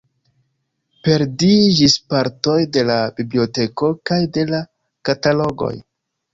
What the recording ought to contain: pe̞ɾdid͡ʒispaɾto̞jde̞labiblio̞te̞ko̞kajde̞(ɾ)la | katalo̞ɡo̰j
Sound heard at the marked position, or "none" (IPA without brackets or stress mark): none